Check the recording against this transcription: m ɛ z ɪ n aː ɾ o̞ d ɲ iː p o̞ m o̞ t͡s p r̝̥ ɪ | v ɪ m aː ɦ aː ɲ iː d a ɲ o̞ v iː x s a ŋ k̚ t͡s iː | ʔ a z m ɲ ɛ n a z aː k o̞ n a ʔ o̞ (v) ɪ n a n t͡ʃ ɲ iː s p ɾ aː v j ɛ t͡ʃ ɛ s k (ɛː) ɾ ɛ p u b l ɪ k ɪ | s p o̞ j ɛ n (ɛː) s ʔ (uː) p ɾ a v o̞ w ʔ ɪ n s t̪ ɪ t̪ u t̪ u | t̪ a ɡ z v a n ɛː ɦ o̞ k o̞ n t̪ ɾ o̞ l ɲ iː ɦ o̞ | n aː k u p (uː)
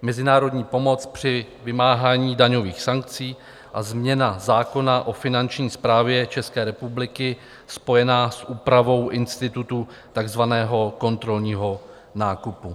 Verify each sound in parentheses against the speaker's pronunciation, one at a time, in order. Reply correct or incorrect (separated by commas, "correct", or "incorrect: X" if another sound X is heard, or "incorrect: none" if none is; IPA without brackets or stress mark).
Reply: incorrect: f, correct, incorrect: aː, correct, incorrect: u